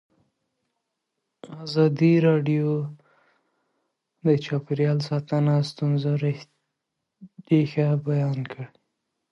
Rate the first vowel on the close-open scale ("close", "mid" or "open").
open